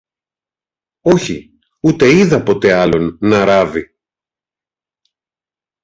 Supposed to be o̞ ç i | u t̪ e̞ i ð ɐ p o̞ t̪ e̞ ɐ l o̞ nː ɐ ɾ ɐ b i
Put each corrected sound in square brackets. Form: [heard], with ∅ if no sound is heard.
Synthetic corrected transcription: o̞ ç i | u t̪ e̞ i ð ɐ p o̞ t̪ e̞ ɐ l o̞ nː ɐ ɾ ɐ [v] i